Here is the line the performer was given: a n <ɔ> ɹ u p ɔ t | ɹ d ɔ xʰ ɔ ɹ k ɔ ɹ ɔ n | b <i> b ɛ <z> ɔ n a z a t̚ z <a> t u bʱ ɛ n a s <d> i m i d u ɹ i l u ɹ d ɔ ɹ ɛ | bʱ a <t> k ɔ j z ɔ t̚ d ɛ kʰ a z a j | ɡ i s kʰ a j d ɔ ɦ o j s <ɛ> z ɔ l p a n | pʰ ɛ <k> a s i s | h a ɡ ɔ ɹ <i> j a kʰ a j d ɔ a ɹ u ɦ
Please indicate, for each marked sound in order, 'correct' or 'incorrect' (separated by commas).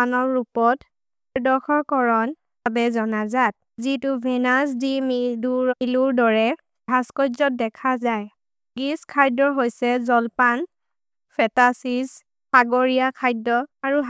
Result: correct, incorrect, correct, incorrect, correct, incorrect, correct, incorrect, correct